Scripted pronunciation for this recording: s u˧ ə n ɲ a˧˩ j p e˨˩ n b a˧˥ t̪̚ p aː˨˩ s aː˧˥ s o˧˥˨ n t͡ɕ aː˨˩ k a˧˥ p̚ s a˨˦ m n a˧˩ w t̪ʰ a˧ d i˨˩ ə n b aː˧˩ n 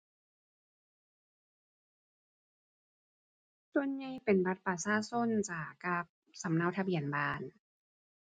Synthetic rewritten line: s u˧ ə n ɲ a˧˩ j p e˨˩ n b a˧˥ t̪̚ p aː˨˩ s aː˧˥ s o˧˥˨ n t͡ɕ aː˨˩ k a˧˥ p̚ s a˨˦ m n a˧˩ w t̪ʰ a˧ b i˨˩ ə n b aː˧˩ n